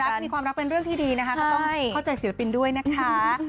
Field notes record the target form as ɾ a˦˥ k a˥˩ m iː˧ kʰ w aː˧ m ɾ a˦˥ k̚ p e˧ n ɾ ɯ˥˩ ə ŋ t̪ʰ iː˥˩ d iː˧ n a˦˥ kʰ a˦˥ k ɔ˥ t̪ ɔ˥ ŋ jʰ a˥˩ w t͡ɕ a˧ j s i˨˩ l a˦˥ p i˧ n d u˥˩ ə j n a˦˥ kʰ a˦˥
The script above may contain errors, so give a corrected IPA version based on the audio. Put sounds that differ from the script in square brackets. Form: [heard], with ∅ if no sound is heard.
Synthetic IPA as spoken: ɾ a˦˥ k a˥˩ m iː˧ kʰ w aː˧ m ɾ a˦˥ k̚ p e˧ n ɾ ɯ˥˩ ə ŋ t̪ʰ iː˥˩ d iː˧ n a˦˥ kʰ a˦˥ k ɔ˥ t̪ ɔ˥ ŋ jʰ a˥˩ w t͡ɕ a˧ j s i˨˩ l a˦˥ p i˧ n d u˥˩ ə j n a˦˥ kʰ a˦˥